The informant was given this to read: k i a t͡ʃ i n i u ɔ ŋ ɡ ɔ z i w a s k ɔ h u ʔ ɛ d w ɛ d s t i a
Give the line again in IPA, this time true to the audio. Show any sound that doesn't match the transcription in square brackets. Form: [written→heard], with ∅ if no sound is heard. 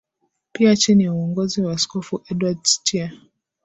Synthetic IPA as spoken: [k→p] i a t͡ʃ i n i u ɔ ŋ ɡ ɔ z i w a s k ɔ [h→f] u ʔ ɛ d w [ɛ→a] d s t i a